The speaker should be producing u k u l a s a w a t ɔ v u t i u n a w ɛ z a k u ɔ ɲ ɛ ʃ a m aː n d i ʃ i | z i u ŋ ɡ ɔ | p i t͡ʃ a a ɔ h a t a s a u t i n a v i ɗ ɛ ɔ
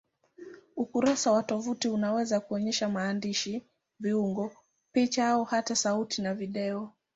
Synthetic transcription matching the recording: u k u ɾ a s a w a t ɔ v u t i u n a w ɛ z a k u ɔ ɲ ɛ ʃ a m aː n d i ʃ i | v i u ŋ ɡ ɔ | p i t͡ʃ a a ɔ h a t a s a u t i n a v i ɗ ɛ ɔ

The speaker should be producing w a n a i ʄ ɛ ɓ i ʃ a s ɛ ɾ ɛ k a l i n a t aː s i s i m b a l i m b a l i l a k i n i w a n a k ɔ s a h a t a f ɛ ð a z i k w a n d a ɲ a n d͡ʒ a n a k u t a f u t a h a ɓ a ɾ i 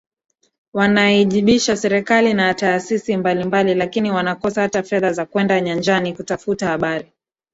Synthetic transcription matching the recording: w a n a i ʄ i ɓ i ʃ a s ɛ ɾ ɛ k a l i n a t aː s i s i m b a l i m b a l i l a k i n i w a n a k ɔ s a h a t a f ɛ ð a z a k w ɛ n d a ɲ a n d͡ʒ a n i k u t a f u t a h a ɓ a ɾ i

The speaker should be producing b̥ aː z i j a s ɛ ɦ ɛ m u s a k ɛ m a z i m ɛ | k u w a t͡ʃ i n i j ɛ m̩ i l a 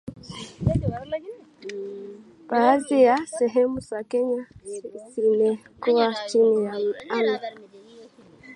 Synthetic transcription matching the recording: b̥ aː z i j a s ɛ ɦ ɛ m u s a k ɛ ɲ a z i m ɛ | k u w a t͡ʃ i n i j a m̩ a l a

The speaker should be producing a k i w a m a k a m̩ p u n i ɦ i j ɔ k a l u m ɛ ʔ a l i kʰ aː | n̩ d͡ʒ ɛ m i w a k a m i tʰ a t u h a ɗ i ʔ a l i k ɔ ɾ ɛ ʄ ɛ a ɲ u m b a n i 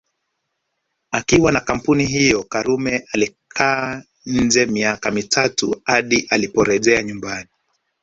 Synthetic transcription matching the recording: a k i w a n a k a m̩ p u n i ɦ i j ɔ k a ɾ u m ɛ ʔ a l i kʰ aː | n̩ d͡ʒ ɛ m i a k a m i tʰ a t u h a ɗ i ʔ a l i p ɔ ɾ ɛ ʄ ɛ a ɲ u m b a n i

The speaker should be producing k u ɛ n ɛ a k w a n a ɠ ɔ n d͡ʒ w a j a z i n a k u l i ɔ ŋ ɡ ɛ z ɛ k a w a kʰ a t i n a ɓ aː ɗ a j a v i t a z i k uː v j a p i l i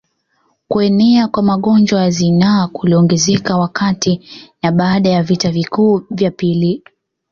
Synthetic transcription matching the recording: k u ɛ n ɛ a k w a m a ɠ ɔ n d͡ʒ w a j a z i n a k u l i ɔ ŋ ɡ ɛ z ɛ k a w a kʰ a t i n a ɓ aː ɗ a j a v i t a v i k uː v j a p i l i

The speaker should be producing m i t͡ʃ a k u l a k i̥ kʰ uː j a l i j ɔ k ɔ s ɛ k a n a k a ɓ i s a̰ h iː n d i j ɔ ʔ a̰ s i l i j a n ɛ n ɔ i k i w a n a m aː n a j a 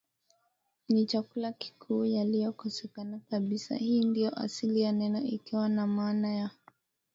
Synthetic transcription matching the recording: n i t͡ʃ a k u l a k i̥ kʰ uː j a l i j ɔ k ɔ s ɛ k a n a k a ɓ i s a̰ h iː n d i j ɔ ʔ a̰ s i l i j a n ɛ n ɔ i k i w a n a m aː n a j a

